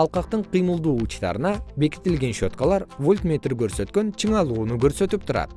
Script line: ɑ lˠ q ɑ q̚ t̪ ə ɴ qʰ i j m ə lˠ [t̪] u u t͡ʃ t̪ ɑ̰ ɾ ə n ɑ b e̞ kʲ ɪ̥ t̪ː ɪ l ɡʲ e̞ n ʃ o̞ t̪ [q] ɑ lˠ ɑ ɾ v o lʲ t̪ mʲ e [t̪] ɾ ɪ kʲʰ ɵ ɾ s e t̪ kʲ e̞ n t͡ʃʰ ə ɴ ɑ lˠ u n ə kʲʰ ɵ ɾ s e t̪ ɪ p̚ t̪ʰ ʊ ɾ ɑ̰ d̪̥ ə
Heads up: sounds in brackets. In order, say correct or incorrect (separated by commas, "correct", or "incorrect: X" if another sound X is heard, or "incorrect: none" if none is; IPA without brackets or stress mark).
incorrect: d̪, incorrect: k, correct